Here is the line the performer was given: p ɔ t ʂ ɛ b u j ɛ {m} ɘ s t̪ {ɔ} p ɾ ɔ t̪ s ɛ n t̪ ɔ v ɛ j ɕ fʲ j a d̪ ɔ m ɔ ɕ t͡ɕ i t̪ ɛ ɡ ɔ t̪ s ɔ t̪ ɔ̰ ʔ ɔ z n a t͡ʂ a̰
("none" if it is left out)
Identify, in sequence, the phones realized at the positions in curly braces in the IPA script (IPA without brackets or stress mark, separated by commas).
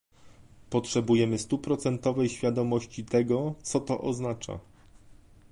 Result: m, u